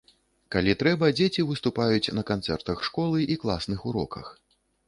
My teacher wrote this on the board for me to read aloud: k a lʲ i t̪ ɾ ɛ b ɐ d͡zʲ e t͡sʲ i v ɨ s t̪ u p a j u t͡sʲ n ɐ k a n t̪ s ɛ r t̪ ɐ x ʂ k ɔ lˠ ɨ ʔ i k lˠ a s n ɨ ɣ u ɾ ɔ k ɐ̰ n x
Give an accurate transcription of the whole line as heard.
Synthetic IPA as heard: k a lʲ i t̪ ɾ ɛ b ɐ d͡zʲ e t͡sʲ i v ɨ s t̪ u p a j u t͡sʲ n ɐ k a n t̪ s ɛ r t̪ ɐ x ʂ k ɔ lˠ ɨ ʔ i k lˠ a s n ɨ x u ɾ ɔ k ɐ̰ x

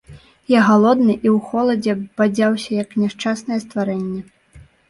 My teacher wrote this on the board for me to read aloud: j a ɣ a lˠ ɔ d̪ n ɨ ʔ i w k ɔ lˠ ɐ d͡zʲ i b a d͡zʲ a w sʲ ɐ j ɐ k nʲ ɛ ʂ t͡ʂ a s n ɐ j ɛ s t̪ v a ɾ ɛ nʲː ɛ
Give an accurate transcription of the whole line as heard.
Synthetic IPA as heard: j a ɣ a lˠ ɔ d̪ n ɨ ʔ i w x ɔ lˠ ɐ d͡zʲ ɛ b a d͡zʲ a w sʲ ɐ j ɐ k nʲ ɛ ʂ t͡ʂ a s n ɐ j ɛ s t̪ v a ɾ ɛ nʲː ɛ

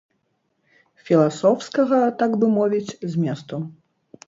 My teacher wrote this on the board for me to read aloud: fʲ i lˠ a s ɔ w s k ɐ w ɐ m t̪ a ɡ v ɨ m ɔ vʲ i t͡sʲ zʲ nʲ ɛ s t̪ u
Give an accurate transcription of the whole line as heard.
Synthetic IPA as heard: fʲ i lˠ a s ɔ w s k ɐ ɣ ɐ t̪ a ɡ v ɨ m ɔ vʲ i t͡sʲ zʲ mʲ ɛ s t̪ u

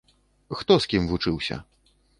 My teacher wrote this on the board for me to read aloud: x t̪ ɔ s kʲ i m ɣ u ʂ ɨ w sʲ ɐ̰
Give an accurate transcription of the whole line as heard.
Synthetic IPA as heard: x t̪ ɔ s kʲ i m v u t͡ʂ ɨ w sʲ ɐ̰

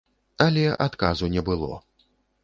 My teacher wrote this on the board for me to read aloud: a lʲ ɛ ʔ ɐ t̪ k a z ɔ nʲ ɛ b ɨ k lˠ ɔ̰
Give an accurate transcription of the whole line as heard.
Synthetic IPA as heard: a lʲ ɛ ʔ a t̪ k a z u nʲ ɛ b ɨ lˠ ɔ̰

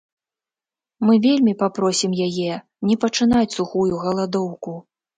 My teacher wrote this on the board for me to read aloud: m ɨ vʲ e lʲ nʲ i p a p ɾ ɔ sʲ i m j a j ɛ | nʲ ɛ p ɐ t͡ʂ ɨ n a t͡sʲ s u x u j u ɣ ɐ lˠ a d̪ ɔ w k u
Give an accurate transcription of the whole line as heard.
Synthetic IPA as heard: m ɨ vʲ e lʲ mʲ i p a p ɾ ɔ sʲ i m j a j ɛ | nʲ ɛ p ɐ t͡ʂ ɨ n a t͡sʲ s u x u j u ɣ ɐ lˠ a d̪ ɔ w k u

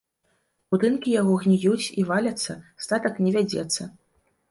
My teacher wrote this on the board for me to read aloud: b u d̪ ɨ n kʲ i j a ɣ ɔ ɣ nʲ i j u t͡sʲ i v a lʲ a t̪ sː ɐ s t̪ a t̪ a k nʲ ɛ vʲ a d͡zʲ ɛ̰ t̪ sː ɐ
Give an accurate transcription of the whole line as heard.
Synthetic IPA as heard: b u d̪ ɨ n kʲ i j a ɣ ɔ ɣ nʲ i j u t͡sʲ i v a lʲ ɐ t̪ sː ɐ s t̪ a t̪ ɐ k nʲ ɛ vʲ a d͡zʲ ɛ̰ t̪ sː ɐ

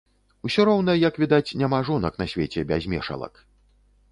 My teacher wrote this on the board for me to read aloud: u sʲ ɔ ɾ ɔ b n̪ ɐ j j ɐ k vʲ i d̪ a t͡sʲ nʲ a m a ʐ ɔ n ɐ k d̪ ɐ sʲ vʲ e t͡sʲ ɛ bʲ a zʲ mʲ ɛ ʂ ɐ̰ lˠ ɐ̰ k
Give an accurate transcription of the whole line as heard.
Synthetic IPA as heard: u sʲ ɔ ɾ ɔ w n̪ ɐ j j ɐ k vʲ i d̪ a t͡sʲ nʲ a m a ʐ ɔ n ɐ k n̪ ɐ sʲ vʲ e t͡sʲ ɛ bʲ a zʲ mʲ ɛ ʂ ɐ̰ lˠ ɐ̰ k

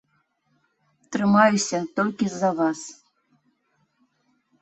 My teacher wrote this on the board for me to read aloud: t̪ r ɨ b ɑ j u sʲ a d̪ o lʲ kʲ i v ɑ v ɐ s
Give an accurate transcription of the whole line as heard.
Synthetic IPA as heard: t̪ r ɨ m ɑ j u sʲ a t̪ o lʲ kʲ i z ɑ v ɑ s

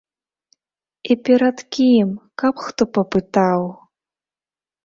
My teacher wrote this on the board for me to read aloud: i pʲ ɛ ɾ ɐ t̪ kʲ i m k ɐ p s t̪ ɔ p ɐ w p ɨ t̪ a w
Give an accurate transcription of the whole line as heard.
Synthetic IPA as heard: i pʲ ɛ ɾ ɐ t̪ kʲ i m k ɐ p x t̪ ɔ p ɐ p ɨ t̪ a w

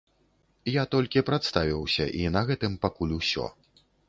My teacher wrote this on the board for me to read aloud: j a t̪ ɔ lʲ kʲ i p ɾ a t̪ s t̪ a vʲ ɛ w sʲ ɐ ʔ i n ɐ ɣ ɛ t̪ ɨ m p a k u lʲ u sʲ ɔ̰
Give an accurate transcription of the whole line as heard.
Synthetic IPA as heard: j a t̪ ɔ lʲ kʲ i p ɾ a t̪ s t̪ a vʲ i w sʲ ɐ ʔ i n ɐ ɣ ɛ t̪ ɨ m p a k u lʲ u sʲ ɔ̰

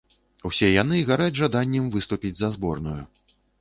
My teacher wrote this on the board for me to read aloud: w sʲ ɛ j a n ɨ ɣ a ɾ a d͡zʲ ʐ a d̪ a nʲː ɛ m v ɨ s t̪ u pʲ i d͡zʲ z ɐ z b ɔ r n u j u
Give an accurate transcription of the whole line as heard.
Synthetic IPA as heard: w sʲ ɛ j a n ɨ ɣ a ɾ a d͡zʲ ʐ a d̪ a nʲː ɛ m v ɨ s t̪ u pʲ i d͡zʲ z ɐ z b ɔ r n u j u

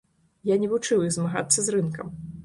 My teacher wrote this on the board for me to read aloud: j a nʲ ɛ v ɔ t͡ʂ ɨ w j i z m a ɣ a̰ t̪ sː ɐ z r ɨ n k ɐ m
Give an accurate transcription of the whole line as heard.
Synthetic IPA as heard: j a nʲ ɛ v u t͡ʂ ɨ w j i z m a ɣ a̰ t̪ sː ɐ z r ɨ n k ɐ m

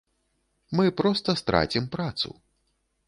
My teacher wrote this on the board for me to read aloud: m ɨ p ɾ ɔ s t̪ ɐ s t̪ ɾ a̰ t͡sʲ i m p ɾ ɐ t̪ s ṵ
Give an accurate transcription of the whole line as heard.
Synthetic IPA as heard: m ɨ p ɾ ɔ s t̪ ɐ s t̪ ɾ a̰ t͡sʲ i m p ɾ a t̪ s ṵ

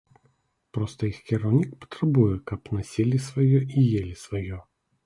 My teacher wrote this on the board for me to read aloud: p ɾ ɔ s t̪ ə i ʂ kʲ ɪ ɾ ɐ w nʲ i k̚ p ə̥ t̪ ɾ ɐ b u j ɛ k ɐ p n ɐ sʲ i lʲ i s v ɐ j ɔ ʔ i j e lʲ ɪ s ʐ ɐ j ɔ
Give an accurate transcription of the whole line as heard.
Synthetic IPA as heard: p ɾ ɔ s t̪ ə i x kʲ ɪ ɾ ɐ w nʲ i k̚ p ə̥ t̪ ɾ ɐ b u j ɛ k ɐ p n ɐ sʲ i lʲ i s v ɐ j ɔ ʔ i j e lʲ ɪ s v ɐ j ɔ

